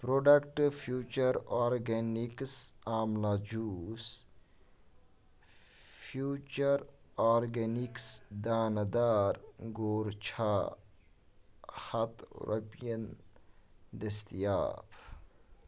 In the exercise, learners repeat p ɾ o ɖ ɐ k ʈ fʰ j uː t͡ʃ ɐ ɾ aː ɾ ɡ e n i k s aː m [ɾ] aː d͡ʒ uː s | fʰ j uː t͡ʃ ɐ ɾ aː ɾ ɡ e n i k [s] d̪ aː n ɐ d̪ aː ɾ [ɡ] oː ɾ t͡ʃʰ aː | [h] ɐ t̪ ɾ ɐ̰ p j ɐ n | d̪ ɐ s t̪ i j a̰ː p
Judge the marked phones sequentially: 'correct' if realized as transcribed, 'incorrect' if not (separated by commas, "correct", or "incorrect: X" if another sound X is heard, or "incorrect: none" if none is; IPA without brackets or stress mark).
incorrect: l, correct, correct, correct